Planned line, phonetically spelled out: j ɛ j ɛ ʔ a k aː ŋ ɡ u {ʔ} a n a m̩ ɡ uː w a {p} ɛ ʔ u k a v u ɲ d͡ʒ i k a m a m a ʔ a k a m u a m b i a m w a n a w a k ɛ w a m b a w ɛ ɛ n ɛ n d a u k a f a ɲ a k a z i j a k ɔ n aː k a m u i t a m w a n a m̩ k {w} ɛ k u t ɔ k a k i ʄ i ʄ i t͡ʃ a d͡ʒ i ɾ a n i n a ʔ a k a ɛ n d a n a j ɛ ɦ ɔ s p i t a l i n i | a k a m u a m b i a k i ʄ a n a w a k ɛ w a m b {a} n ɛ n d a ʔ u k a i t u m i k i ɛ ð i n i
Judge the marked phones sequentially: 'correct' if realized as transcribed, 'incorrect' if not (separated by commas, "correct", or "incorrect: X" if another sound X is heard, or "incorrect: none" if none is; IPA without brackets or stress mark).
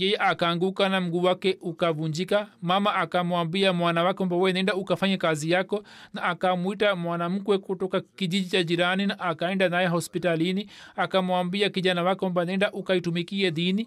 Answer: incorrect: k, incorrect: k, correct, correct